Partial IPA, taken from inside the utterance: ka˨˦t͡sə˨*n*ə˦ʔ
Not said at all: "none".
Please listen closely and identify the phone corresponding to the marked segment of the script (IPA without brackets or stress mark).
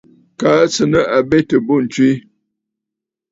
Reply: n